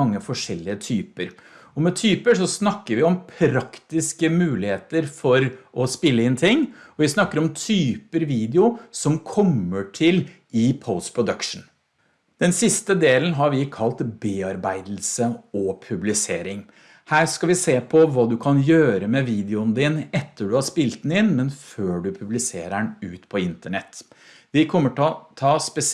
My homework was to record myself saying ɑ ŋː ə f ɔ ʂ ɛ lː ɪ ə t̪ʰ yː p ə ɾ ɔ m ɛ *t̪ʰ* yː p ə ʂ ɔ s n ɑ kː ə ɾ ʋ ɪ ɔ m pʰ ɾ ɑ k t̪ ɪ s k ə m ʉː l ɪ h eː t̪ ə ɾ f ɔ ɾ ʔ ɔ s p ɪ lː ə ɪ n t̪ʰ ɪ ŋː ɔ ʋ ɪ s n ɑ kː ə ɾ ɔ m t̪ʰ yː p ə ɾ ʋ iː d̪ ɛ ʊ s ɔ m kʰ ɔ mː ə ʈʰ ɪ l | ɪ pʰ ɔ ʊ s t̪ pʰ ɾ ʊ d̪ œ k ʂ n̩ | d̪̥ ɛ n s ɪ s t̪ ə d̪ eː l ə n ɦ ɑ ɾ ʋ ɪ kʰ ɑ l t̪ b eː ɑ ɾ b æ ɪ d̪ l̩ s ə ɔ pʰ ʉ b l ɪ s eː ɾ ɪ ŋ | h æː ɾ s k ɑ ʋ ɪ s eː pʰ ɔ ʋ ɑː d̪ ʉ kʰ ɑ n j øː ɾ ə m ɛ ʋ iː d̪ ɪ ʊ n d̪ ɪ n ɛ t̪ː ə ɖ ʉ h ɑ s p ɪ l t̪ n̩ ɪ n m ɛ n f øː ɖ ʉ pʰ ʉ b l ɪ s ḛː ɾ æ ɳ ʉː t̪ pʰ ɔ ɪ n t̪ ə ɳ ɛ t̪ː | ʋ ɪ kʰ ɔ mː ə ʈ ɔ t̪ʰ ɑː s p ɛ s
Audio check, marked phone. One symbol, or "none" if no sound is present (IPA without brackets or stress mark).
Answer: t̪ʰ